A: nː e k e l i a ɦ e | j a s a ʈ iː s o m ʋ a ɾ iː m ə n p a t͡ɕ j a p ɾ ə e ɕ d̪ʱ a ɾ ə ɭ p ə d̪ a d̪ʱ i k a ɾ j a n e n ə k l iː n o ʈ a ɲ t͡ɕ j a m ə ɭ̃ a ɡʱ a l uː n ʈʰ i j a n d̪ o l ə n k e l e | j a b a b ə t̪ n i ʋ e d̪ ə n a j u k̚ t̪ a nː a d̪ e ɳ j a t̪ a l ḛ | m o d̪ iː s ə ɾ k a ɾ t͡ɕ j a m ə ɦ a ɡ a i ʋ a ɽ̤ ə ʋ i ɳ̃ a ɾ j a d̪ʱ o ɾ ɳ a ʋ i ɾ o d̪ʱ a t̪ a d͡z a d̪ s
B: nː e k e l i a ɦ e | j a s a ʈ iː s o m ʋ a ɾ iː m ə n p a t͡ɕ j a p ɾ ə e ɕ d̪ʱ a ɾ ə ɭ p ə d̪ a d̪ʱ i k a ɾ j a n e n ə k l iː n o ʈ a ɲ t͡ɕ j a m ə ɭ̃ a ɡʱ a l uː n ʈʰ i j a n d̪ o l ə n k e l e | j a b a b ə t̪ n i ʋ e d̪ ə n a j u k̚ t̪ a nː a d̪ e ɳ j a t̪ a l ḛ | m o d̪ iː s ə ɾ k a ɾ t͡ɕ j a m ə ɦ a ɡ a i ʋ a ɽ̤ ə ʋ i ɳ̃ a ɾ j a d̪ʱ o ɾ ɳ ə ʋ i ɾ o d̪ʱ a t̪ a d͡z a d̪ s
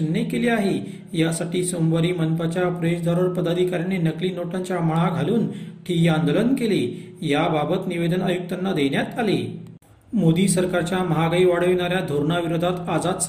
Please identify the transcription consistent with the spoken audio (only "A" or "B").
A